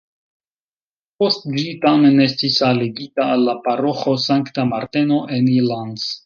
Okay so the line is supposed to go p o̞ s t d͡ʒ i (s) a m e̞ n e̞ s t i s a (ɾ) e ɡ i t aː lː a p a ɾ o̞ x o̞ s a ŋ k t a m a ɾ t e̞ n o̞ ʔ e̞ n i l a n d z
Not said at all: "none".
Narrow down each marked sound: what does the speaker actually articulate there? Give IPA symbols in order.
t, l

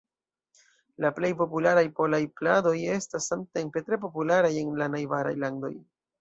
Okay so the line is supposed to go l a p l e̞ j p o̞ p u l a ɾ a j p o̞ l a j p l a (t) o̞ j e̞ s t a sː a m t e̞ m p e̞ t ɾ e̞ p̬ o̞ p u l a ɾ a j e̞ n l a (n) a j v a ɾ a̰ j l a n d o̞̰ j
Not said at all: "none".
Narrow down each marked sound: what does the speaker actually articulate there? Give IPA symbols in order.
d, n

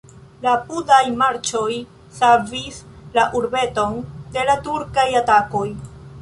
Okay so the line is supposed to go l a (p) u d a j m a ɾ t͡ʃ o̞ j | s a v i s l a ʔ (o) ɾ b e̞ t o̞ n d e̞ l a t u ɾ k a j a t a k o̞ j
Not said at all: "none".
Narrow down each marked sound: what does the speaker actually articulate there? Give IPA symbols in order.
p, u

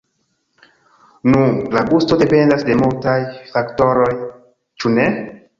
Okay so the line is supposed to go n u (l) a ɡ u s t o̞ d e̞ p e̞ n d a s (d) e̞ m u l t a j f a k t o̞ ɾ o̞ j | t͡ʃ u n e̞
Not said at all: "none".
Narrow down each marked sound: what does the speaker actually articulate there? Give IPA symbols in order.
l, d

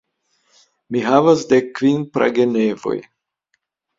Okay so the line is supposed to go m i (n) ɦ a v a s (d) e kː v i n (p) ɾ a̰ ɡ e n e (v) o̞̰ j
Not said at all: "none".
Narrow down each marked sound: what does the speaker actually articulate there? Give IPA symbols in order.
none, d, p, v

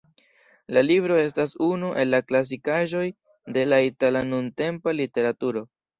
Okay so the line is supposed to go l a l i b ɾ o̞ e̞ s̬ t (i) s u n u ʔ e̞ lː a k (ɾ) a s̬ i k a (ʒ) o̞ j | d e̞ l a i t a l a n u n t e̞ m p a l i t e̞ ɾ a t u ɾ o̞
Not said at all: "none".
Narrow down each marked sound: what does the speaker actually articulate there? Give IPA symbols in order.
a, l, ʒ

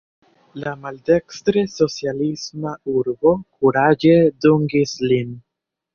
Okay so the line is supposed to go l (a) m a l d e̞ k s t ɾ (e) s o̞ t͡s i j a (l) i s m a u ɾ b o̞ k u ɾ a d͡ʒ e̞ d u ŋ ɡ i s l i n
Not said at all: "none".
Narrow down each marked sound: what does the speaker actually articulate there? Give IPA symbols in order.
a, e, l

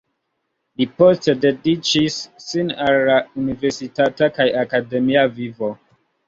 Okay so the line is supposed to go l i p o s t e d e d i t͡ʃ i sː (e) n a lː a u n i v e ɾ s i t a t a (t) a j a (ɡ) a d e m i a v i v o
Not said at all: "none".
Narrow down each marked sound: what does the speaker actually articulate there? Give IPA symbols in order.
i, k, k

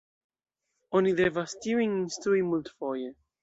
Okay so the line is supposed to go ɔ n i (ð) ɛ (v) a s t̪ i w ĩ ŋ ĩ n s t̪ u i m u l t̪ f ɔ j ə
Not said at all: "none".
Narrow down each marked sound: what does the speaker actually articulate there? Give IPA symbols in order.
ð, v

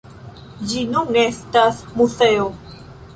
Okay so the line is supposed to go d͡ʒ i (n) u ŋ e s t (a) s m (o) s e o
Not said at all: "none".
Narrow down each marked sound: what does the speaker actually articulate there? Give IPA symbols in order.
n, a, u

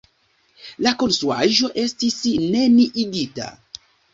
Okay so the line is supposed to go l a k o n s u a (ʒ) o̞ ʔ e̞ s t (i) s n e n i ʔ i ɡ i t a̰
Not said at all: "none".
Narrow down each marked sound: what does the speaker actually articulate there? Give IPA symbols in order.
ʒ, i

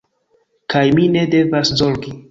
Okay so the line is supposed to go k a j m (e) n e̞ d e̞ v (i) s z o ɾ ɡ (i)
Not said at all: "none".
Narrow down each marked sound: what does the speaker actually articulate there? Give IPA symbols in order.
i, a, i

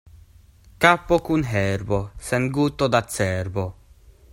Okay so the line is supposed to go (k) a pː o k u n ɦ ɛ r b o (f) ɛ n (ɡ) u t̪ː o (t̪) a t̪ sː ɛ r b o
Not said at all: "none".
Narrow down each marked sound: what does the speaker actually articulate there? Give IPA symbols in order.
k, s, ɡ, d̪

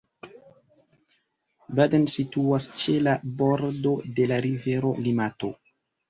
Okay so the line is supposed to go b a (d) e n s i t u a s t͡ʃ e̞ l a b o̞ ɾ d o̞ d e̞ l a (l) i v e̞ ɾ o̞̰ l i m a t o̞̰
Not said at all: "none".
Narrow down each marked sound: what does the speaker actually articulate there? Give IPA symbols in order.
d, ɾ

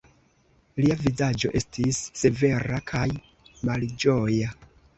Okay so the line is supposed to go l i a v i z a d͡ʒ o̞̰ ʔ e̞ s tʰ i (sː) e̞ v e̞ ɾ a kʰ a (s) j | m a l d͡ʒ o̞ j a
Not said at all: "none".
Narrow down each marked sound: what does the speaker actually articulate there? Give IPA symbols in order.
sː, none

